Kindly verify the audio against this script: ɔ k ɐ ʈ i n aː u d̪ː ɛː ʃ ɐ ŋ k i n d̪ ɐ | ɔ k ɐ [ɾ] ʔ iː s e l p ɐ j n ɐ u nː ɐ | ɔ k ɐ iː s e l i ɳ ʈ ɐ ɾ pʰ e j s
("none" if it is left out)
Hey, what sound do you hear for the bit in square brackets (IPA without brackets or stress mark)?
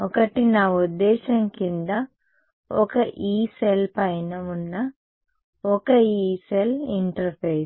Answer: none